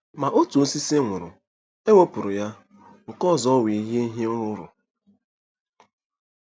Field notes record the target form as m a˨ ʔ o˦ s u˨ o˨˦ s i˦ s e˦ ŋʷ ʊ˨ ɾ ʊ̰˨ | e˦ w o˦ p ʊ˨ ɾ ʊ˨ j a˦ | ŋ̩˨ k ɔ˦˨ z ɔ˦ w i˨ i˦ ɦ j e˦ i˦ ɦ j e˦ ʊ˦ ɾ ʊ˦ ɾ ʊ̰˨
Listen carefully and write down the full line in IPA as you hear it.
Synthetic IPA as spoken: m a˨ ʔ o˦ t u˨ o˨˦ s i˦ s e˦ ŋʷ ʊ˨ ɾ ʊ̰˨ | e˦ w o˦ p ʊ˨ ɾ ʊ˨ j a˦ | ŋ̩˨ k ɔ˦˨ z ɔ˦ w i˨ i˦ ɦ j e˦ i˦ ɦ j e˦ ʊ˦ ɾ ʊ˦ ɾ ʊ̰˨